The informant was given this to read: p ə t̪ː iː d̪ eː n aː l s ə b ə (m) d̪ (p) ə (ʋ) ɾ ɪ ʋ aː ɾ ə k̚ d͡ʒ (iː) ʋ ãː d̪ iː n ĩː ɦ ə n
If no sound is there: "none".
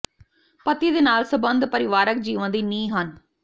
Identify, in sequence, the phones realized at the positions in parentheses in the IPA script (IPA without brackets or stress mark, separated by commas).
n, p, none, iː